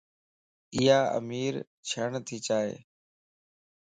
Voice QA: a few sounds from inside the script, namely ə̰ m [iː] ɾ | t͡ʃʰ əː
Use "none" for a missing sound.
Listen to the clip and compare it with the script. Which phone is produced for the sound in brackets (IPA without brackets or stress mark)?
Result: iː